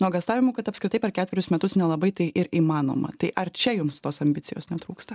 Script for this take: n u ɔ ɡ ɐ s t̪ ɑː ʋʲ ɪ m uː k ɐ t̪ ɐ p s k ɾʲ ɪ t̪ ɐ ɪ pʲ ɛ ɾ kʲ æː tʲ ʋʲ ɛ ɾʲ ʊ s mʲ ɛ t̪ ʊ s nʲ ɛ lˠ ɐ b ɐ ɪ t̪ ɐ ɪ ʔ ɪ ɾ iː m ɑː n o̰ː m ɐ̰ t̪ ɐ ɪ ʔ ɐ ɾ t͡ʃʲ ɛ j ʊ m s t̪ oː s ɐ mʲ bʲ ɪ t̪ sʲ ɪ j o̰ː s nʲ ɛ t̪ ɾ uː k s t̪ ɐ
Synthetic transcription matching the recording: n u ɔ ɡ ɐ s t̪ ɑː ʋʲ ɪ m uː k ɐ t̪ ɐ p s k ɾʲ ɪ t̪ ɐ ɪ pʲ ɛ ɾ kʲ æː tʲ ʋʲ ɛ ɾʲ ʊ s mʲ ɛ t̪ ʊ s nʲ ɛ lˠ ɐ b ɐ ɪ t̪ ɐ ɪ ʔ ɪ ɾ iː m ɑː n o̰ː m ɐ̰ t̪ ɐ ɪ ʔ ɐ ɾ t͡ʃʲ ɛ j ʊ m s t̪ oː s ɐ mʲ bʲ ɪ t̪ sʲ ɪ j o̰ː s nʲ ɛ t̪ ɾ uː k s t̪ ɐ